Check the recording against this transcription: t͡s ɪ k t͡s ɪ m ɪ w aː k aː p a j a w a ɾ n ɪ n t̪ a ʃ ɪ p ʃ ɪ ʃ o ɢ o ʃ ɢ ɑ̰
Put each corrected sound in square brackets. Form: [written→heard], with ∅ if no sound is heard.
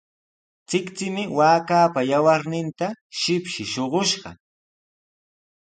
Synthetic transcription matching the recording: t͡s ɪ k t͡s ɪ m ɪ w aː k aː p a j a w a ɾ n ɪ n t̪ a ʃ ɪ p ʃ ɪ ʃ o ɢ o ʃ ɢ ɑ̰